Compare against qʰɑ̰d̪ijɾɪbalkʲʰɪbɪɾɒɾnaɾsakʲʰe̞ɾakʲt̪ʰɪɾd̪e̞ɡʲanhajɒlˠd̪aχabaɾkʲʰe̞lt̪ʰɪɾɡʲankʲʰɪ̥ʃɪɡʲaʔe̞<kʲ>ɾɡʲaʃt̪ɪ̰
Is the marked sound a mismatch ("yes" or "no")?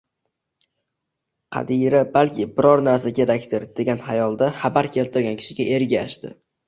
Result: yes